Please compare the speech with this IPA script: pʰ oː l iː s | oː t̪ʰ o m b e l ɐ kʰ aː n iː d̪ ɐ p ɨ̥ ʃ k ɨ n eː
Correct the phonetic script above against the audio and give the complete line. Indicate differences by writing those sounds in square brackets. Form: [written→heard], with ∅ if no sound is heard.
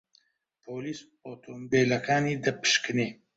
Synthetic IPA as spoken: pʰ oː l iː s | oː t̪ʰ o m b e l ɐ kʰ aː n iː d̪ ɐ p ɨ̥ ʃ k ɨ n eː